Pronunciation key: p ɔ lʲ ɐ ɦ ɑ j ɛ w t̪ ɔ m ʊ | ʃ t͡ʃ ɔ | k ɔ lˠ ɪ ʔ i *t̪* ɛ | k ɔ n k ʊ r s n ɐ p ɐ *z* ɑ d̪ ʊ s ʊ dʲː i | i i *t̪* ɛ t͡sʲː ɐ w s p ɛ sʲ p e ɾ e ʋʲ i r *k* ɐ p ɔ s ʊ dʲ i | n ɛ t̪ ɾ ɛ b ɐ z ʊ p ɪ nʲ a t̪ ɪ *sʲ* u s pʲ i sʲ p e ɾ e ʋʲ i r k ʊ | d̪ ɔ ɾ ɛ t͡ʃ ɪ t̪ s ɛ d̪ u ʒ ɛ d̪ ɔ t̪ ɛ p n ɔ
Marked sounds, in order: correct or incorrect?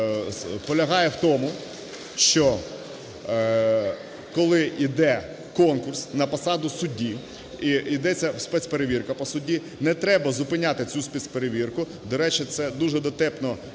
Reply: incorrect: d̪, incorrect: s, incorrect: d̪, correct, incorrect: t͡sʲ

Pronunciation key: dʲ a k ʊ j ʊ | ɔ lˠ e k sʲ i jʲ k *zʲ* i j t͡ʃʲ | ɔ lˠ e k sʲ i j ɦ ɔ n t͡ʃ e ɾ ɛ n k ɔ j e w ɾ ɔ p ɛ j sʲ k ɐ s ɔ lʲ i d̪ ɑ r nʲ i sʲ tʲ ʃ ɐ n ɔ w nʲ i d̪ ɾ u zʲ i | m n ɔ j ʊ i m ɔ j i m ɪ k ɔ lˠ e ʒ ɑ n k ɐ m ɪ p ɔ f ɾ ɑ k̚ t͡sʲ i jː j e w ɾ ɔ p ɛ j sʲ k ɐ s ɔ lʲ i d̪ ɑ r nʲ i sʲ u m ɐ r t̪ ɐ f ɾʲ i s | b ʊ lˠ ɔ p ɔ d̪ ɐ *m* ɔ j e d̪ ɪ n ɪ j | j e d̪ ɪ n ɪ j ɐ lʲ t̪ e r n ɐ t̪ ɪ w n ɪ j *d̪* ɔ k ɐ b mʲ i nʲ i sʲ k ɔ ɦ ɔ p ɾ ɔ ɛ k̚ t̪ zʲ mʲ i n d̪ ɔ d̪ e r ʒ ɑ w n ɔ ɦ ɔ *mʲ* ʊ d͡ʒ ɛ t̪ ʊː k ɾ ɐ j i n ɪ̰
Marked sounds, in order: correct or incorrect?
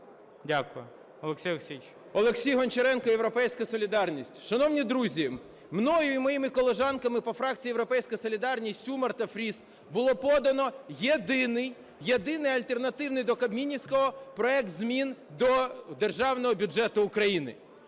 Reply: incorrect: sʲ, incorrect: n, correct, incorrect: bʲ

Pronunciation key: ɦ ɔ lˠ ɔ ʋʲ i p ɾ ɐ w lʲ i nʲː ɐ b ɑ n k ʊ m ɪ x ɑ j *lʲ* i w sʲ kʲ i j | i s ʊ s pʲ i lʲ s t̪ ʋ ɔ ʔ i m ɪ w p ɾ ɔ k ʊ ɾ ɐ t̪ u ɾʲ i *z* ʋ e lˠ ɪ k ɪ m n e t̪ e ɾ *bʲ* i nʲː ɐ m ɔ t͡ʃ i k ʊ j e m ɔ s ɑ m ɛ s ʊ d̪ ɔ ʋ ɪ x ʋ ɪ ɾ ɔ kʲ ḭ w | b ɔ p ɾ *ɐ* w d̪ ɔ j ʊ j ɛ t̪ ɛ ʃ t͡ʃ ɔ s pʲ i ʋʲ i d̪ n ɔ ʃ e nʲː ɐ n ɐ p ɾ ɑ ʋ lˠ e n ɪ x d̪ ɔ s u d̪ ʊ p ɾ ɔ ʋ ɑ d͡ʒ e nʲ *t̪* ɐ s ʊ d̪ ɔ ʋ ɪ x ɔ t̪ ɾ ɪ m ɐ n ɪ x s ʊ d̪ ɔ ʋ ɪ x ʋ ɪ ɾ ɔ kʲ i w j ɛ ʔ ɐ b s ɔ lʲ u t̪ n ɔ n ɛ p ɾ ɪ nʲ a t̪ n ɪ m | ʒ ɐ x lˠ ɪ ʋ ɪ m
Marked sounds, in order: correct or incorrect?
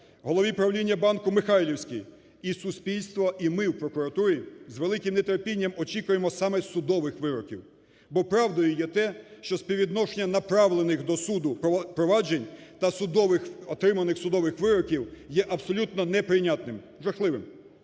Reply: correct, correct, incorrect: pʲ, incorrect: ɑ, correct

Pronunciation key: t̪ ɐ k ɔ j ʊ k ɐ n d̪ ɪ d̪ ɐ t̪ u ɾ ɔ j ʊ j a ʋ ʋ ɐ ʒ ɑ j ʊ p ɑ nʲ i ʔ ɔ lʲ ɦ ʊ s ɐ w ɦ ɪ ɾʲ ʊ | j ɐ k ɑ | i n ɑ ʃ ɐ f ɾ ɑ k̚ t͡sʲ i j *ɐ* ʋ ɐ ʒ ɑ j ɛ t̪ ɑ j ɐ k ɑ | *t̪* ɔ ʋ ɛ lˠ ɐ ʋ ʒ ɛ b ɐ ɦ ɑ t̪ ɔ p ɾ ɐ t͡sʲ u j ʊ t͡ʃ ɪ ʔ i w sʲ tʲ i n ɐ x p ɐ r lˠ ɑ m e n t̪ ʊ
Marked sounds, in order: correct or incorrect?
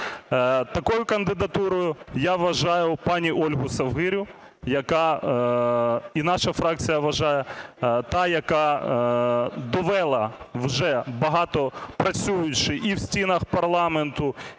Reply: correct, incorrect: d̪

